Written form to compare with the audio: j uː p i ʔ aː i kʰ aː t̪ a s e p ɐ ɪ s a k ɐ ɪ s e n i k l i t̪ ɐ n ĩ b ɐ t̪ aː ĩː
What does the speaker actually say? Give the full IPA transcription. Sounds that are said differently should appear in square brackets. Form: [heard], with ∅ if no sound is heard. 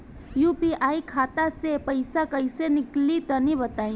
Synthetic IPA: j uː p i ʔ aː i kʰ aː t̪ a s e p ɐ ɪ s a k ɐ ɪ s e n [ɪ] k l i t̪ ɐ n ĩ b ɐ t̪ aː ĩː

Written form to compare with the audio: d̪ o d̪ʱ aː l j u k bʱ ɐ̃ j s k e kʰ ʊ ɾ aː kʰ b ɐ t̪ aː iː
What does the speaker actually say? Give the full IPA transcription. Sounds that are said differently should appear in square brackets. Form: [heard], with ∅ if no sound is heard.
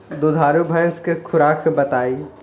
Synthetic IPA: d̪ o d̪ʱ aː [ɾ] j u [∅] bʱ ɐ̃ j s k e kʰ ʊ ɾ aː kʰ b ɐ t̪ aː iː

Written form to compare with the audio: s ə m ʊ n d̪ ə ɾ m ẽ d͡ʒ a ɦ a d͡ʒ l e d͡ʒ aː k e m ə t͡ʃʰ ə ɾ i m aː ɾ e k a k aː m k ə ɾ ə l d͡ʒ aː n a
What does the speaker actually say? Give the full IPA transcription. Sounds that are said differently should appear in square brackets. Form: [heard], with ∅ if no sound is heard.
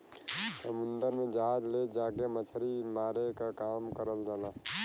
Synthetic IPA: s ə m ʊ n d̪ ə ɾ m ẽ d͡ʒ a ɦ a d͡ʒ l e d͡ʒ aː k e m ə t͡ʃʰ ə ɾ i m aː ɾ e k a k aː m k ə ɾ ə l d͡ʒ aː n a

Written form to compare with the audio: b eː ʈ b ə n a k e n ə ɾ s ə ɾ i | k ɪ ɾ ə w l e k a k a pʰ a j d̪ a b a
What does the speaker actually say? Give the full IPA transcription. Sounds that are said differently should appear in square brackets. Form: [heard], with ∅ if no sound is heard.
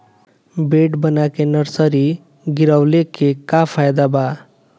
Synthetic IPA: b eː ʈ b ə n a k e n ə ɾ s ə ɾ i | [ɡ] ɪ ɾ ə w l e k [e] k a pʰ a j d̪ a b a

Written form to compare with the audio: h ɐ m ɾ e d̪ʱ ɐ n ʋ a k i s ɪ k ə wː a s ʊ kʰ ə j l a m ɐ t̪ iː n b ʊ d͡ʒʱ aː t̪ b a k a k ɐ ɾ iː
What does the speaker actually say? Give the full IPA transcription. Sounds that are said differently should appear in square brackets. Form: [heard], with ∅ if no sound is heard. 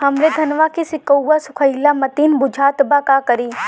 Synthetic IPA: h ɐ m ɾ e d̪ʱ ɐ n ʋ a k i s ɪ k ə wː a s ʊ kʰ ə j l a m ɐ t̪ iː n b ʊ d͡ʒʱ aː t̪ b a k a k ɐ ɾ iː

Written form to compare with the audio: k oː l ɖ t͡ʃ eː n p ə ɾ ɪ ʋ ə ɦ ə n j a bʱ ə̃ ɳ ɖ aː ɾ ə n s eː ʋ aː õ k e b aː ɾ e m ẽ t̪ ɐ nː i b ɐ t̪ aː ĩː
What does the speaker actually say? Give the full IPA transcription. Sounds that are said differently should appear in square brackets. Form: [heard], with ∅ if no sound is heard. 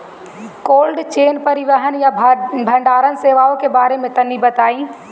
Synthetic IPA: k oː l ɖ t͡ʃ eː n p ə ɾ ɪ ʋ ə ɦ ə n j a bʱ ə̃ ɳ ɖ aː ɾ ə n s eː ʋ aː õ k e b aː ɾ e m ẽ t̪ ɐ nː i b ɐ t̪ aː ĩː

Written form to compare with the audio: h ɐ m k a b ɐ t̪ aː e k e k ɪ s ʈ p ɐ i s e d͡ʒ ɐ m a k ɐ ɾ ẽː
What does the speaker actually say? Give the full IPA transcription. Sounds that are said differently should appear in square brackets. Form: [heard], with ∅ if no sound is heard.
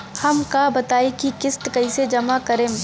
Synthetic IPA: h ɐ m k a b ɐ t̪ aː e k [i] k ɪ s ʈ [k] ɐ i s e d͡ʒ ɐ m a k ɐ ɾ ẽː

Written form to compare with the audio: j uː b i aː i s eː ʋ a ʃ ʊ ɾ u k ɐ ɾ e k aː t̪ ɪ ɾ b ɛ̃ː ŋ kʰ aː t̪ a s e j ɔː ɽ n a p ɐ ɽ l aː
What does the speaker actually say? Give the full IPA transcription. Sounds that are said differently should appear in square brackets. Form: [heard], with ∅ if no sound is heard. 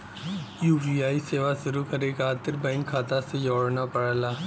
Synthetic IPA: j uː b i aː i s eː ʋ a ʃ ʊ ɾ u k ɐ ɾ e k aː t̪ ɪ ɾ b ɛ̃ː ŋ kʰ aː t̪ a s e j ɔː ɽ n a p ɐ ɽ l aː

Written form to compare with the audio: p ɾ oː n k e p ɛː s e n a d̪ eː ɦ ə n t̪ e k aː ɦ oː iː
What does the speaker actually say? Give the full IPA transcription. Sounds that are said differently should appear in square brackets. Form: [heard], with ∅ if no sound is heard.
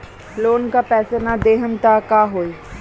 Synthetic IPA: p [l] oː n k [a] p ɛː s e n a d̪ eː ɦ ə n t̪ [a] k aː ɦ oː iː

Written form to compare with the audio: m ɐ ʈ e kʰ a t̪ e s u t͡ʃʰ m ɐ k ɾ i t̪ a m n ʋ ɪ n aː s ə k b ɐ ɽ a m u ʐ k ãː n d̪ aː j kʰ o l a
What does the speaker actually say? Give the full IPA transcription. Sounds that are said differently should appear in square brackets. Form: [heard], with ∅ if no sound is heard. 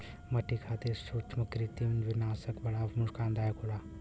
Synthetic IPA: m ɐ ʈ [i] kʰ a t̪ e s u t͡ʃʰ m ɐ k ɾ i t̪ [i] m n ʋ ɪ n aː s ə k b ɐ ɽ a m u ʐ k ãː n d̪ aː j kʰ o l a

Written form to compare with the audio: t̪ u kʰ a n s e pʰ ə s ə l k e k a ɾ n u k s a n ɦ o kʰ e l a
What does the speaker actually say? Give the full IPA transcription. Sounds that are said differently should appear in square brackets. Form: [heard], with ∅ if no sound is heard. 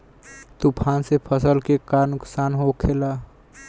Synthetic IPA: t̪ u [pʰ] a n s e pʰ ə s ə l k e k a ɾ n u k s a n ɦ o kʰ e l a

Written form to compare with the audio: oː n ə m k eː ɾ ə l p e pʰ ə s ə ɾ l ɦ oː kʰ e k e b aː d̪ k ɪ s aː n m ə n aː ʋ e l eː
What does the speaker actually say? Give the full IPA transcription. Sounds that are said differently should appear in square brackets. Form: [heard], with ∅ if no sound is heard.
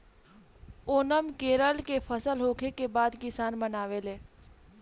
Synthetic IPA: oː n ə m k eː ɾ ə l [k] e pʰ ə s ə [∅] l ɦ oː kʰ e k e b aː d̪ k ɪ s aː n m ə n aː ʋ e l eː

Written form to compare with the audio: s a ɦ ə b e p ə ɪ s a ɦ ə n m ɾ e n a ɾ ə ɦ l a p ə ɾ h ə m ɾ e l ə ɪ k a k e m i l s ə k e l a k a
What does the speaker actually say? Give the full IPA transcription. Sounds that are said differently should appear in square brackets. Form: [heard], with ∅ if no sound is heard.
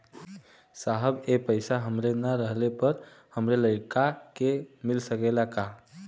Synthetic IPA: s a ɦ ə b e p ə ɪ s a ɦ ə [∅] m ɾ e n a ɾ ə ɦ l [e] p ə ɾ h ə m ɾ e l ə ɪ k a k e m i l s ə k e l a k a

